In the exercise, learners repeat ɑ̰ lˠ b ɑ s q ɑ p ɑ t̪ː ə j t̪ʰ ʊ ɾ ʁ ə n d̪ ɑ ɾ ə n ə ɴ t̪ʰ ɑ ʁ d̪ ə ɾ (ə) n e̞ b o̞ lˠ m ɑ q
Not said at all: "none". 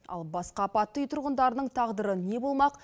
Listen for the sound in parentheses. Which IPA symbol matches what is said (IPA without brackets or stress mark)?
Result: ə